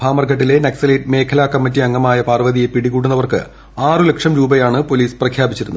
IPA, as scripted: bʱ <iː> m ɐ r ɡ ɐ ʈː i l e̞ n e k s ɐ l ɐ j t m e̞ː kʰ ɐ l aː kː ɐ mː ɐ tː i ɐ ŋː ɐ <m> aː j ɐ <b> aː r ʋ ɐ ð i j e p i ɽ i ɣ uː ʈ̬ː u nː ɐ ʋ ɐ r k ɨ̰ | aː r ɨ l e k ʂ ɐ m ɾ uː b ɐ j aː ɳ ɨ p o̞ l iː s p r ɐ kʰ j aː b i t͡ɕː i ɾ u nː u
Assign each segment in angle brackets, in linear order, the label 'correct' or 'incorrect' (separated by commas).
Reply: incorrect, correct, incorrect